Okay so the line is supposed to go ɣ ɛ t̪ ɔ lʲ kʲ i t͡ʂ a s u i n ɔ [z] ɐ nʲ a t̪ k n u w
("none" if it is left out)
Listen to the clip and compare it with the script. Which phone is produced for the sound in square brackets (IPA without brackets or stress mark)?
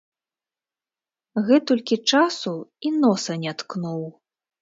s